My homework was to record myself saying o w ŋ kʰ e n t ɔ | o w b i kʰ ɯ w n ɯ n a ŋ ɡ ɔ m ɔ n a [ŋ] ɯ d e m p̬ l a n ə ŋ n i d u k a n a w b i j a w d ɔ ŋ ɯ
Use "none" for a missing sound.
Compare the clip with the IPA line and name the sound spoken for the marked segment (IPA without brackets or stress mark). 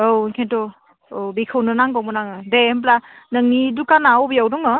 ŋ